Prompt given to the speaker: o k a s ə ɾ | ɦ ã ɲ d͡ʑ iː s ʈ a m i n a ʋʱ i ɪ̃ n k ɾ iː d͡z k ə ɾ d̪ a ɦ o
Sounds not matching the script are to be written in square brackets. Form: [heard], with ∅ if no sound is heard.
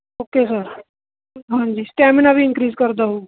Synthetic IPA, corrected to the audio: o k [e] s ə ɾ | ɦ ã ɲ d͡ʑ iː s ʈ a m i n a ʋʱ i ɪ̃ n k ɾ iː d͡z k ə ɾ d̪ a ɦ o